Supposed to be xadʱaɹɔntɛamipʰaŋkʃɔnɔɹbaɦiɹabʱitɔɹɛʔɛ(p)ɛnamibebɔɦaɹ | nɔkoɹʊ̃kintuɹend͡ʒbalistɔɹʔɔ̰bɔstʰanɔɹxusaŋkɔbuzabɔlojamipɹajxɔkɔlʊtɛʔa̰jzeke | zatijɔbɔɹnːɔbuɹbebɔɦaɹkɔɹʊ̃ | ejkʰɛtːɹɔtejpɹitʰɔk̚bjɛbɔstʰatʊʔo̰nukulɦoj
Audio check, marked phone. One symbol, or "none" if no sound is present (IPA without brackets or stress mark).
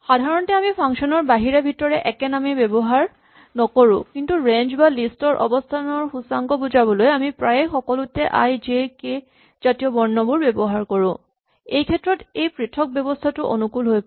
k